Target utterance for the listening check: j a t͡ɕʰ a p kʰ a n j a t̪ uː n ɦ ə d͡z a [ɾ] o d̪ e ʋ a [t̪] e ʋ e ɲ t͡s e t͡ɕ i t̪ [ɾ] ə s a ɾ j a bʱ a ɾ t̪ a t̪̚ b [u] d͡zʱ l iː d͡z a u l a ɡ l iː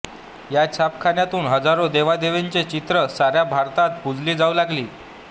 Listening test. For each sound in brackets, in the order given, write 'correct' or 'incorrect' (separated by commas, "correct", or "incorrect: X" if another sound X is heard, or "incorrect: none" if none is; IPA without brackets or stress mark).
correct, incorrect: d̪, correct, correct